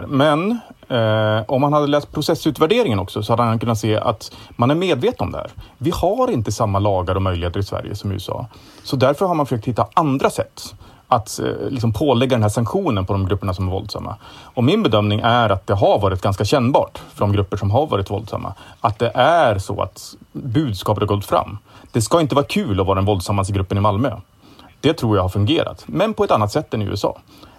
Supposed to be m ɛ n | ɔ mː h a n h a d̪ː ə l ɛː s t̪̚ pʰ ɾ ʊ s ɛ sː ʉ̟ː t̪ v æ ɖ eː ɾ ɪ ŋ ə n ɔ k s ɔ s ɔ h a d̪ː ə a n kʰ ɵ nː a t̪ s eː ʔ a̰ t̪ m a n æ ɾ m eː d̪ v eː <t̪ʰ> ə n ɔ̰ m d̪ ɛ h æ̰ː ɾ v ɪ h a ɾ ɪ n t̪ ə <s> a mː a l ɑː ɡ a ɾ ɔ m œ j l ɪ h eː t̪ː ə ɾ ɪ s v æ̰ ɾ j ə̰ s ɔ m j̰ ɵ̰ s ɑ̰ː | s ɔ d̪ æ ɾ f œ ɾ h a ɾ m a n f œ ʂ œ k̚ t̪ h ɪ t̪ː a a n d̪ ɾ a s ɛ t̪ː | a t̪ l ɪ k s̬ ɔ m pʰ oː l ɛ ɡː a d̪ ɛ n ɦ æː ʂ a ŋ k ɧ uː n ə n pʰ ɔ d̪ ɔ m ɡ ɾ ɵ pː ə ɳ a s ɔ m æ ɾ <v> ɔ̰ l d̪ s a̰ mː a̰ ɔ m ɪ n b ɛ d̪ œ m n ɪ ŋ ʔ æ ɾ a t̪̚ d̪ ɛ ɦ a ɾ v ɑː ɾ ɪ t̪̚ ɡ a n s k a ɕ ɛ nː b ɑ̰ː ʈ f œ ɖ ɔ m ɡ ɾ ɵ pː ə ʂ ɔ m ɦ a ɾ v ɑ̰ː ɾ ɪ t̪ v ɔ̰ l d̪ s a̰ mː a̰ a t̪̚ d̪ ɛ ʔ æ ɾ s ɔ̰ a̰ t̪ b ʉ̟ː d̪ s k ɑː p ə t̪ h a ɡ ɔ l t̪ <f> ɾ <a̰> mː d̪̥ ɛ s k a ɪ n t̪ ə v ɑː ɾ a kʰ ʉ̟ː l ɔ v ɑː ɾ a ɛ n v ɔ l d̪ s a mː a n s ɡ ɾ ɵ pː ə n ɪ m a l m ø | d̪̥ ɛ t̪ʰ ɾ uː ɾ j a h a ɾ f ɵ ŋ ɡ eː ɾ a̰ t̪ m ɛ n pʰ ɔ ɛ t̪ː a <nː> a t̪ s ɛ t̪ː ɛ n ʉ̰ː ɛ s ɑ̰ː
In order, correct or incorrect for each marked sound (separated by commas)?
incorrect, correct, correct, correct, correct, correct